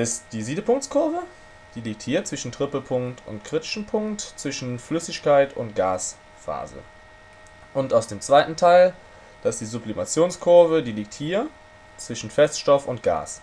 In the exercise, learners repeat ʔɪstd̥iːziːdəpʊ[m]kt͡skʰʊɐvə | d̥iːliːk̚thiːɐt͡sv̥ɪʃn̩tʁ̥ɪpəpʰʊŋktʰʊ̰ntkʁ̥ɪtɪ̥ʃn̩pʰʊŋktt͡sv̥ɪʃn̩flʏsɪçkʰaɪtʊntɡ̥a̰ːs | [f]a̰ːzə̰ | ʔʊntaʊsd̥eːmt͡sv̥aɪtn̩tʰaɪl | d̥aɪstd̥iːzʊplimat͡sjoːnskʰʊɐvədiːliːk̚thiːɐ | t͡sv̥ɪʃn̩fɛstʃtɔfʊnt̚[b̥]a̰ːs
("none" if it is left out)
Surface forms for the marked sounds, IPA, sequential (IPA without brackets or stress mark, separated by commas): ŋ, f, ɡ̥